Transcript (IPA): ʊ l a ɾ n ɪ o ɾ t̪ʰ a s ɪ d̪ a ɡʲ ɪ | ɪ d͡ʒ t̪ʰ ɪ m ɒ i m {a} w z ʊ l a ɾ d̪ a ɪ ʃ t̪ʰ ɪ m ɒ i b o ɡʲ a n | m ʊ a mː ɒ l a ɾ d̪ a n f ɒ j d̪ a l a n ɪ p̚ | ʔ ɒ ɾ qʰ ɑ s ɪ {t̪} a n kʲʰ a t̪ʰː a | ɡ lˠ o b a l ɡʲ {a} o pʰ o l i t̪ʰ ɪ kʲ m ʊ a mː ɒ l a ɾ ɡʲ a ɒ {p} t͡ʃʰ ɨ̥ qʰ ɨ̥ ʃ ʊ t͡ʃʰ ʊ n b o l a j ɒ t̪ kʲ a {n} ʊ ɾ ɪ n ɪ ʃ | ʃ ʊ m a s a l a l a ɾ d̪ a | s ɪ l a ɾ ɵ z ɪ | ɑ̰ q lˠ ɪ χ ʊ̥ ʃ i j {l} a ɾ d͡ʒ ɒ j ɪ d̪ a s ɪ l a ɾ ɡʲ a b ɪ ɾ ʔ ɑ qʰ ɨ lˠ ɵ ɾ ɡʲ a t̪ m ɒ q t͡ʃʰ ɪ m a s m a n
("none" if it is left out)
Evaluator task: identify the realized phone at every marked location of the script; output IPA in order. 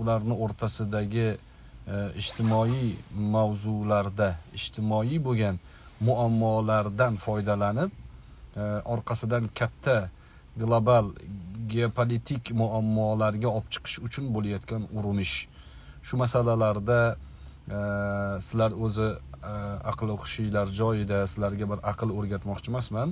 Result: a, d̪, e, p, n, l

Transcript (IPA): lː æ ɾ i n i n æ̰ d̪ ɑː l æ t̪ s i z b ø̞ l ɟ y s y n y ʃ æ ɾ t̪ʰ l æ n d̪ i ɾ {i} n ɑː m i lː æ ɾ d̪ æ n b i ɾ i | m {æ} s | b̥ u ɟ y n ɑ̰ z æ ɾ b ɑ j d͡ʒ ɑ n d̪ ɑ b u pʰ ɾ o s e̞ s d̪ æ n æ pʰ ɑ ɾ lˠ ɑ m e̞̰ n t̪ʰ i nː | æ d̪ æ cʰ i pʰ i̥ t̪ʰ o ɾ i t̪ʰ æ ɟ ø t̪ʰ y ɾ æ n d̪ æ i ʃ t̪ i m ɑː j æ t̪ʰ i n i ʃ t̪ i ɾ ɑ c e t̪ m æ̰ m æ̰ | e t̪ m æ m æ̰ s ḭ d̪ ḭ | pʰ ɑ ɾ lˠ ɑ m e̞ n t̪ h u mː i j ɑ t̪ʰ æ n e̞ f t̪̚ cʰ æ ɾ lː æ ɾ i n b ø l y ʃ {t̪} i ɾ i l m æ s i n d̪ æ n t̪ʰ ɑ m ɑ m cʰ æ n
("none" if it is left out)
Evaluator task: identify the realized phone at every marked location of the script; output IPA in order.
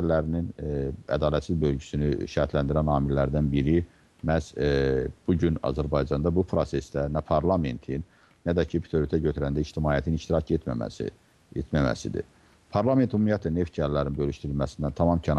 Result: æ, æ, t̪

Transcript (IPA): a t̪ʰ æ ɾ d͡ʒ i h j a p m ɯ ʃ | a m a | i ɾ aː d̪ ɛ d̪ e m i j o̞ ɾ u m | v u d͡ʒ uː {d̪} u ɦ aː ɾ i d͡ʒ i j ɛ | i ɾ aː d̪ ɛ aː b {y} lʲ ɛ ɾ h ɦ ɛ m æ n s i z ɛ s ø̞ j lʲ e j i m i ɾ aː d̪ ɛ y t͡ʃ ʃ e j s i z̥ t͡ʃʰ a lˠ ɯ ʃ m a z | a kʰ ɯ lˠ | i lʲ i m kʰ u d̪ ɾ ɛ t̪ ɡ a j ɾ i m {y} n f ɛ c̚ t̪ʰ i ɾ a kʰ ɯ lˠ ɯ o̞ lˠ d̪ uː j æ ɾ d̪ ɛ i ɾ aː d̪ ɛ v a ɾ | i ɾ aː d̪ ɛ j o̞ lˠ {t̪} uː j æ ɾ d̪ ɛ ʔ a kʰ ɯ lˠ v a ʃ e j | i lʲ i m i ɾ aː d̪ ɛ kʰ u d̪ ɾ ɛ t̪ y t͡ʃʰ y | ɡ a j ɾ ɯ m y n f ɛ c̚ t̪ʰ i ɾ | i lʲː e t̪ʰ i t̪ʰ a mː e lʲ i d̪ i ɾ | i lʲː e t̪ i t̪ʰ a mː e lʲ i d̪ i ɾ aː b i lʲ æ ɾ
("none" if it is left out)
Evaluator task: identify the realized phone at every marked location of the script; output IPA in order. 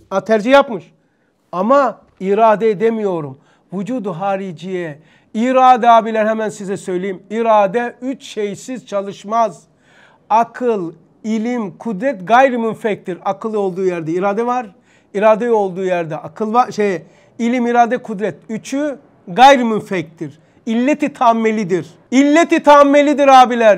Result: d̪, i, y, d̪

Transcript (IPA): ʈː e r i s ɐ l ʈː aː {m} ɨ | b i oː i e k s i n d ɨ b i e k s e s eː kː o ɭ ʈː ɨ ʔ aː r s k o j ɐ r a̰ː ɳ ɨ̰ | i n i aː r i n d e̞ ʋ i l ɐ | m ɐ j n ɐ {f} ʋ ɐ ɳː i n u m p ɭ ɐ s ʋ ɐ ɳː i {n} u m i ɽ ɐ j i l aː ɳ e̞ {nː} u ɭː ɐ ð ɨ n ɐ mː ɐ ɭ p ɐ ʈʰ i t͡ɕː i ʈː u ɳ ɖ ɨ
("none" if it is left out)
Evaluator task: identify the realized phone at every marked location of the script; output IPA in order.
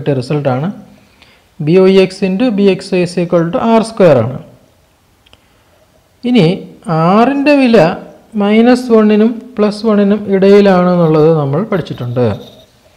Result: ɳ, s, n, nː

